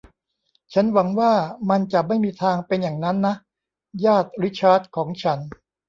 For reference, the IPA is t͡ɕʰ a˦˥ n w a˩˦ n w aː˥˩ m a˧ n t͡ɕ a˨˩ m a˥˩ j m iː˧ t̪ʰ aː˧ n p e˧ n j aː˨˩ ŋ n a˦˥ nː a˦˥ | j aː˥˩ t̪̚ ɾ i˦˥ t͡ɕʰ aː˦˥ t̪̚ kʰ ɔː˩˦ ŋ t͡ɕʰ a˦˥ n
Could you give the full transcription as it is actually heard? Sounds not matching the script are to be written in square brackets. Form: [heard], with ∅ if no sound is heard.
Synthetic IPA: t͡ɕʰ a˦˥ n w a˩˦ [ŋ] w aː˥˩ m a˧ n t͡ɕ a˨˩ m a˥˩ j m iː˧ t̪ʰ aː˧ [ŋ] p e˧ n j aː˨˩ ŋ n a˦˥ nː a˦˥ | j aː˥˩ t̪̚ ɾ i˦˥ t͡ɕʰ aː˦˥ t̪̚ kʰ ɔː˩˦ ŋ t͡ɕʰ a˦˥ n

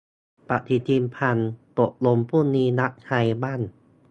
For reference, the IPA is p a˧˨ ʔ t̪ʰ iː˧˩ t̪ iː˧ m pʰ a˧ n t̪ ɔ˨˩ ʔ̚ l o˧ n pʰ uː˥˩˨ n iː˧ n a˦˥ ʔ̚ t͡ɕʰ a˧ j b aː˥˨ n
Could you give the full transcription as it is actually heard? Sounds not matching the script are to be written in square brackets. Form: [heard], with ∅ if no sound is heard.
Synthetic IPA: p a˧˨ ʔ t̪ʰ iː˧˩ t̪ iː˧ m pʰ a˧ n t̪ [o˨˩] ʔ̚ l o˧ [m] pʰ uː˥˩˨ n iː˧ n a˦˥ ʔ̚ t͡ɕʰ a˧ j b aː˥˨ n

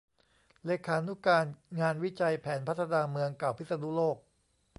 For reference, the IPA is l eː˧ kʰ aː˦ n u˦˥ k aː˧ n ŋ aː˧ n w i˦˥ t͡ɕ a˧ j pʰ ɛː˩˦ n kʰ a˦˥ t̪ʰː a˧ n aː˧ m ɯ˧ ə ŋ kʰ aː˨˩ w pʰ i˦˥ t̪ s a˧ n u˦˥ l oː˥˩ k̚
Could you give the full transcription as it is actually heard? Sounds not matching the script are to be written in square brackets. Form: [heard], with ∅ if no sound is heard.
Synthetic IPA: l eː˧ kʰ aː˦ n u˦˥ k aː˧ n ŋ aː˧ n w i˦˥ t͡ɕ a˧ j pʰ ɛː˩˦ n [pʰ] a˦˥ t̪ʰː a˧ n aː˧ m ɯ˧ ə ŋ [k] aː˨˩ w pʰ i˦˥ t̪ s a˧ n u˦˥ l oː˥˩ k̚

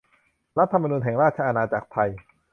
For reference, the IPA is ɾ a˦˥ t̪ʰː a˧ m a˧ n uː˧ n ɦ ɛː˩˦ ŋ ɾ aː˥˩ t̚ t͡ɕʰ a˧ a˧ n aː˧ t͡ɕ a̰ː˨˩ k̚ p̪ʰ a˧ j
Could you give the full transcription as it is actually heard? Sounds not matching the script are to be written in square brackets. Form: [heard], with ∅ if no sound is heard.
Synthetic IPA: ɾ a˦˥ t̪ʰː a˧ m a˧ n uː˧ n ɦ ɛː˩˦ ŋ ɾ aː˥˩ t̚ t͡ɕʰ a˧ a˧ n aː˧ t͡ɕ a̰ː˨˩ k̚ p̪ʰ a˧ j

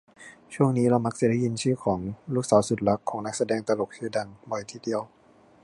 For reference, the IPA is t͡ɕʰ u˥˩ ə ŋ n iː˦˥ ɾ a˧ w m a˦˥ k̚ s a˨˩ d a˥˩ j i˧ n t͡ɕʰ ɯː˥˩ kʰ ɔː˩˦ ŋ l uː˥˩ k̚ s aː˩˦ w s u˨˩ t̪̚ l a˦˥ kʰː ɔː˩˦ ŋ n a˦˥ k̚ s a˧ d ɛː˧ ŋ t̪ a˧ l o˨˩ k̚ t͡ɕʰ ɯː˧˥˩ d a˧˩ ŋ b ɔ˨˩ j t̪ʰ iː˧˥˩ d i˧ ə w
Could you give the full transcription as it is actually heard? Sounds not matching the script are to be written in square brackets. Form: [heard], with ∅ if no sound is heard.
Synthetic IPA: t͡ɕʰ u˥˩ ə ŋ n iː˦˥ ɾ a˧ w m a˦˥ k̚ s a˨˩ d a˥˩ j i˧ n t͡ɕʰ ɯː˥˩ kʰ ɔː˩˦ ŋ l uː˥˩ k̚ s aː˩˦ w s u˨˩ t̪̚ l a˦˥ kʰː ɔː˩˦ ŋ n a˦˥ k̚ s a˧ d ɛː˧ ŋ t̪ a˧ l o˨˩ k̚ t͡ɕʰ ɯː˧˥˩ d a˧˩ ŋ b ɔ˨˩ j t̪ʰ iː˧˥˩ d i˧ ə w

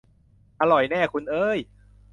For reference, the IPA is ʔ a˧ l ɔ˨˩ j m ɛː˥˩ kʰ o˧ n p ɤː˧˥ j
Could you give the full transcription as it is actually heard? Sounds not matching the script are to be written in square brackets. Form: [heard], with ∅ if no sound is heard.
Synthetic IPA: ʔ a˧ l ɔ˨˩ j [n] ɛː˥˩ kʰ [u˧] n [ʔ] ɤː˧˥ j

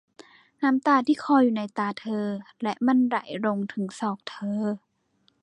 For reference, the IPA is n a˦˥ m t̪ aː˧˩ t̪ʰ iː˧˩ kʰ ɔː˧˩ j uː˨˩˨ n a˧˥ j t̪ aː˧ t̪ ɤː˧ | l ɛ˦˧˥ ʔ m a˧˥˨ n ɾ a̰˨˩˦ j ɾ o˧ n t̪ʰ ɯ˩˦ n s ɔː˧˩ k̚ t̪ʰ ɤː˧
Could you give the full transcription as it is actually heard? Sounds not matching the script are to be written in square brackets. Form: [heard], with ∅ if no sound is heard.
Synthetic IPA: n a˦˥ m t̪ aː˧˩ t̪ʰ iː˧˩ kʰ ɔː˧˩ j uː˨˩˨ n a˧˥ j t̪ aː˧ [t̪ʰ] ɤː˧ | l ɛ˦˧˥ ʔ m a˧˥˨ n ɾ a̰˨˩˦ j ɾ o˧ [ŋ] t̪ʰ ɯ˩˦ [ŋ] s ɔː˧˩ k̚ t̪ʰ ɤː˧

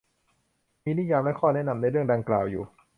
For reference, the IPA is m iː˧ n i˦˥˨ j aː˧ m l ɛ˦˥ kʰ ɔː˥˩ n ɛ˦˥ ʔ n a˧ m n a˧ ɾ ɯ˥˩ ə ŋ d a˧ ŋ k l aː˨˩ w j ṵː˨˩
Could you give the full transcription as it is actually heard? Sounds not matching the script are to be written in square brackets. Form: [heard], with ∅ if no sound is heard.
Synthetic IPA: m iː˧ n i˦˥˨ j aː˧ m l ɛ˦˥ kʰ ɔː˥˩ n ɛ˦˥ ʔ n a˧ m n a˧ ɾ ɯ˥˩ ə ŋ d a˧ ŋ k l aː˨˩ w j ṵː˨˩

